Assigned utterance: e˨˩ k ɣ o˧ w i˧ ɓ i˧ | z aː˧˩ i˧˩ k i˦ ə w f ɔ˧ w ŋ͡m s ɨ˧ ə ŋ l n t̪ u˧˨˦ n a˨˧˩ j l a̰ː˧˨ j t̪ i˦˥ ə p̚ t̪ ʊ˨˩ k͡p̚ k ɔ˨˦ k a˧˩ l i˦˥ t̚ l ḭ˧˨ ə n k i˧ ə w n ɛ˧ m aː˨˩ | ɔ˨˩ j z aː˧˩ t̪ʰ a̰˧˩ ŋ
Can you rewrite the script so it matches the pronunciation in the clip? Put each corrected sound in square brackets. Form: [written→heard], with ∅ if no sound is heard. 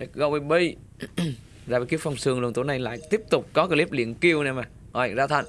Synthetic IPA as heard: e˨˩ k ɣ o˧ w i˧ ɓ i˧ | z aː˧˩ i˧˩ k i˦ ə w f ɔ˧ w ŋ͡m s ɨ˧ ə ŋ l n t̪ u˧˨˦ n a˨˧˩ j l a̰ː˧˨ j t̪ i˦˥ ə p̚ t̪ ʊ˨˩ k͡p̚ k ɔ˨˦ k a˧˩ l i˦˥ [t̚→p̚] l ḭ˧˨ ə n k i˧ ə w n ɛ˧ m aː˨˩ | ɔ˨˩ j z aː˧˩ t̪ʰ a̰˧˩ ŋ